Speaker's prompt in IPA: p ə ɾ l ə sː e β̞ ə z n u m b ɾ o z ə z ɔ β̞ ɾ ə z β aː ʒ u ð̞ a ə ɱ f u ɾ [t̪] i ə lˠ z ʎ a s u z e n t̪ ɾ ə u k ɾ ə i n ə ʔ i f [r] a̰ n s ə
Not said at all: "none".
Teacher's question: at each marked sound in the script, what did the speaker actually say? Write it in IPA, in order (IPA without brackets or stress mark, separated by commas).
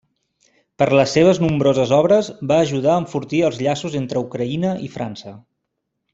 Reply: t̪, ɾ